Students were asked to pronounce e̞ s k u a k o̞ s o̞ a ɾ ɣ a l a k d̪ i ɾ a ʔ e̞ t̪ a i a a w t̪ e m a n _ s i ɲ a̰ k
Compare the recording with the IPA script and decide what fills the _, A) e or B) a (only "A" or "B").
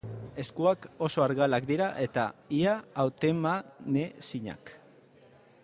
A